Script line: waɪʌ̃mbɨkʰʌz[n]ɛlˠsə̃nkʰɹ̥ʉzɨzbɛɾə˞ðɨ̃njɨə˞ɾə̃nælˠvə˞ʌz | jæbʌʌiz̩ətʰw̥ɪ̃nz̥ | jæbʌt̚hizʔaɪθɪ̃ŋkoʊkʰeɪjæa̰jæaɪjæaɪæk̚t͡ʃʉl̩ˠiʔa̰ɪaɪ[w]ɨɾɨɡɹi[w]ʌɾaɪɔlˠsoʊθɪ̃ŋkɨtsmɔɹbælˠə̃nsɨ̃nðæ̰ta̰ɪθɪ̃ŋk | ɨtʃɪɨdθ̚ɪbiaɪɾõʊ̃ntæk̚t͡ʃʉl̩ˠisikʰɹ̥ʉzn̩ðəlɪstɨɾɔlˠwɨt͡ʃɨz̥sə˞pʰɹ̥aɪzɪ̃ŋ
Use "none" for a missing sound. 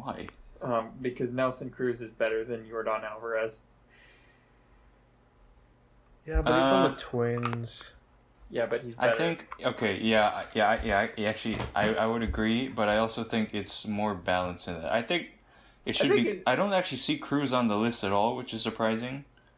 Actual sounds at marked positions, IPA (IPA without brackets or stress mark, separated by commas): n, w, b